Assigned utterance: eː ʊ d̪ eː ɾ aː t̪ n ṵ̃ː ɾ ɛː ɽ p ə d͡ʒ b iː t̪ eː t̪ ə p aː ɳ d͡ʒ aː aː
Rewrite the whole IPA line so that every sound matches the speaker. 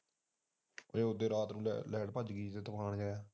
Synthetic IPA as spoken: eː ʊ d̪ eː ɾ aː t̪ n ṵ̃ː l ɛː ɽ p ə d͡ʒ ɡ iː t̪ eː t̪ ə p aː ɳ d͡ʒ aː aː